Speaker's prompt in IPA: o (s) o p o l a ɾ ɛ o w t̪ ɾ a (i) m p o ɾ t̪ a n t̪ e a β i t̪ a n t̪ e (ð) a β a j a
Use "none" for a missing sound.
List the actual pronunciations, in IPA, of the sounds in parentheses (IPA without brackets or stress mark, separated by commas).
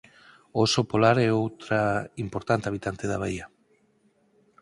s, i, ð